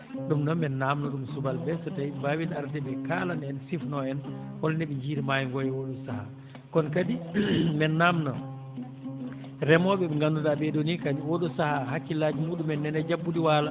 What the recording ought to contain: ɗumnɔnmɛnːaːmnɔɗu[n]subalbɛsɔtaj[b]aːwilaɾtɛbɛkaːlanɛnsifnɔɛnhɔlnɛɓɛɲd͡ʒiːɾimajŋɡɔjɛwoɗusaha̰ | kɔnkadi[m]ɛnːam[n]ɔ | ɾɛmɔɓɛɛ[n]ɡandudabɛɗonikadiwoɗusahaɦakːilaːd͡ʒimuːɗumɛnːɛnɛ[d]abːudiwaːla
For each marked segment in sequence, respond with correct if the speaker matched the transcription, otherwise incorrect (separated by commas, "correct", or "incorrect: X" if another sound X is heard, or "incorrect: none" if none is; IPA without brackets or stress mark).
incorrect: m, correct, correct, correct, incorrect: ŋ, incorrect: d͡ʒ